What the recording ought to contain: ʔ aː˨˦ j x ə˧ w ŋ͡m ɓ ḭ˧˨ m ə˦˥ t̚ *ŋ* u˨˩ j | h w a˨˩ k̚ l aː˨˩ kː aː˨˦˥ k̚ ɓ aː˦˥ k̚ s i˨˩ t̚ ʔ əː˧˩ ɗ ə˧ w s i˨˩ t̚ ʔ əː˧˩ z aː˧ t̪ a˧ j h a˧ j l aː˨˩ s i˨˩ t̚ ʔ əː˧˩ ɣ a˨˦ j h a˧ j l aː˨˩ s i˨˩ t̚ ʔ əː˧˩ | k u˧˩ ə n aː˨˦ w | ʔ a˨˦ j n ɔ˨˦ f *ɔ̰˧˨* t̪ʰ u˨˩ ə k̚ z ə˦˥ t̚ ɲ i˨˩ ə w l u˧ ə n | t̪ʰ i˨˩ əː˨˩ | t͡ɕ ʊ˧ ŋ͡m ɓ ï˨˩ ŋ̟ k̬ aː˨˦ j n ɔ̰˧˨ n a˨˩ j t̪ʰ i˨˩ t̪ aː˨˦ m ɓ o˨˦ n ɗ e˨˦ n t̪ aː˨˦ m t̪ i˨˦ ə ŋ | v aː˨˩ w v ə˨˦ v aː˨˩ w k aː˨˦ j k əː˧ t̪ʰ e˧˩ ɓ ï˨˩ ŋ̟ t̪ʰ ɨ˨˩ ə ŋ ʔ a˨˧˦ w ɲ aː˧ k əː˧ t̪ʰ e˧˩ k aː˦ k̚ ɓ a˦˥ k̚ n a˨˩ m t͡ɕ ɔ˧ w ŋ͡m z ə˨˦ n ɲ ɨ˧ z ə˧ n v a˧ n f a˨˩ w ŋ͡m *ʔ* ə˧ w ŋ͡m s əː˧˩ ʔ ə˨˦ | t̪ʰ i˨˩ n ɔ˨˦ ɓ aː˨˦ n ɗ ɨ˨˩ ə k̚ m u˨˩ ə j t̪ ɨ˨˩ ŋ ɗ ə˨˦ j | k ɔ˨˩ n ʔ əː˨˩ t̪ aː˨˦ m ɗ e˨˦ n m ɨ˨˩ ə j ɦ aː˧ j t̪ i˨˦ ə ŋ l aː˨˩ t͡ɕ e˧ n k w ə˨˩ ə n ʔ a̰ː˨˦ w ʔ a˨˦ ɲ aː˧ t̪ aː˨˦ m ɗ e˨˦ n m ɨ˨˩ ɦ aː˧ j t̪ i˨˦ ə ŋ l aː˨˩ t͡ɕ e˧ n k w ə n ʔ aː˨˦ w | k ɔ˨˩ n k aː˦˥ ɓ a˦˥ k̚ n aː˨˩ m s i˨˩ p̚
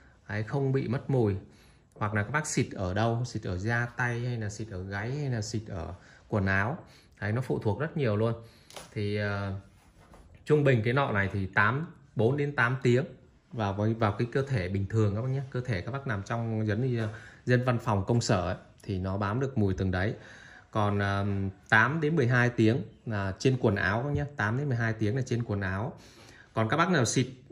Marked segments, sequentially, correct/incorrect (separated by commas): incorrect, incorrect, incorrect